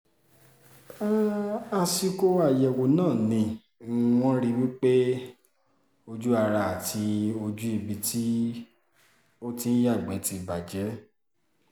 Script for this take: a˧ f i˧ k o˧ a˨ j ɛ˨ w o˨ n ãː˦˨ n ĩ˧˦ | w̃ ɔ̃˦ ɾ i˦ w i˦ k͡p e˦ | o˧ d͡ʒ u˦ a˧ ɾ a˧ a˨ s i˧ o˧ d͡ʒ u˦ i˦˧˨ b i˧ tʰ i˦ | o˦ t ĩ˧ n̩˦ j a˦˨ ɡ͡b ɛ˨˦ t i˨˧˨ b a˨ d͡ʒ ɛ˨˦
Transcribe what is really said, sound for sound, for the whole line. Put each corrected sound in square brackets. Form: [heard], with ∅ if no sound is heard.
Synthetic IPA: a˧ [s] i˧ k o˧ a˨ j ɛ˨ w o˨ n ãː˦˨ n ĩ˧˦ | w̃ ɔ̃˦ ɾ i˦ w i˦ k͡p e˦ | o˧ d͡ʒ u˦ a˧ ɾ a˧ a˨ [t] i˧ o˧ d͡ʒ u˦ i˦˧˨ b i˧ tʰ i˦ | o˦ t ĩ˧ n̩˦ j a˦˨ ɡ͡b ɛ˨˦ t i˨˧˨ b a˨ d͡ʒ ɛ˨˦